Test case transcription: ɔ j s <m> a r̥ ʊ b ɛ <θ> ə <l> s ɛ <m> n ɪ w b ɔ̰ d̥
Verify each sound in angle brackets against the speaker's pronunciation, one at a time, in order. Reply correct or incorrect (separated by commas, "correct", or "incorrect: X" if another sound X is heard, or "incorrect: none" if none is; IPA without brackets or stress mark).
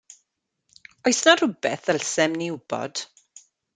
incorrect: n, correct, correct, correct